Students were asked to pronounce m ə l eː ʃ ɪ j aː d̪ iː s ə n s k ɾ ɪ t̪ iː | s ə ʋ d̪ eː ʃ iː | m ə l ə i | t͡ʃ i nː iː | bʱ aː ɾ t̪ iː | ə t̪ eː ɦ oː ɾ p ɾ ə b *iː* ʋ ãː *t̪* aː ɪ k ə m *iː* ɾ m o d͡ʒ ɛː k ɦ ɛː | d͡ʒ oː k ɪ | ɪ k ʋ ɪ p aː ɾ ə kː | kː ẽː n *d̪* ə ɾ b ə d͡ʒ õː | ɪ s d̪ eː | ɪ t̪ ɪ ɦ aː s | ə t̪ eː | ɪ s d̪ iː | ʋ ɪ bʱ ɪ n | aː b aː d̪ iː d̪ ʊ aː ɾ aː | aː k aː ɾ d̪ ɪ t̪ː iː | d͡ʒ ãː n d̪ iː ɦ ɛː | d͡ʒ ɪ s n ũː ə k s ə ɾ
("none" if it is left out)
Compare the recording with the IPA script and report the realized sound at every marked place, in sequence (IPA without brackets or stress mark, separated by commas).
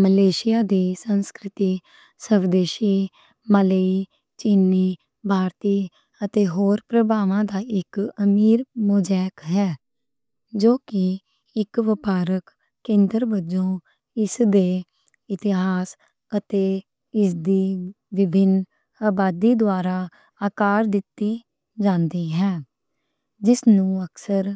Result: aː, d̪, iː, d̪